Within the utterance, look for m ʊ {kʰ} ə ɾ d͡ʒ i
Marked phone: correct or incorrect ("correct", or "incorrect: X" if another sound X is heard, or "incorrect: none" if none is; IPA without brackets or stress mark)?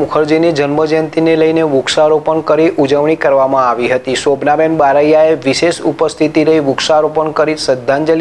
correct